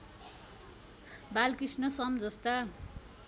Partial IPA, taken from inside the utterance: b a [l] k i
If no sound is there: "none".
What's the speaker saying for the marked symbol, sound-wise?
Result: l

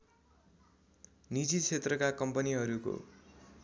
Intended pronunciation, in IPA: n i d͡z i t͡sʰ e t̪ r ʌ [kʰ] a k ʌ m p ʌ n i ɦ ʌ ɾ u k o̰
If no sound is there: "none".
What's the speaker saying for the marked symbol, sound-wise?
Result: k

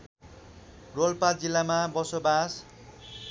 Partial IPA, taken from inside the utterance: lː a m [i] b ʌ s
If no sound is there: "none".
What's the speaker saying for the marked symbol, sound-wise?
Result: a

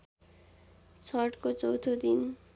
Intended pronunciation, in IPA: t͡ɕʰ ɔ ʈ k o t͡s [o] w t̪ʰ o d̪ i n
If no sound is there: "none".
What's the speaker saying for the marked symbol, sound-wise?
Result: o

